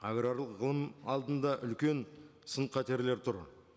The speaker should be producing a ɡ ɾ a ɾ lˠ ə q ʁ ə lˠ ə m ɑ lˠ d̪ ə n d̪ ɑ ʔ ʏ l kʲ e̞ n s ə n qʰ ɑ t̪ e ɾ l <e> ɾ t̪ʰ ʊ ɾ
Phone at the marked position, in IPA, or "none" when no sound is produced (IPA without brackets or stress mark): e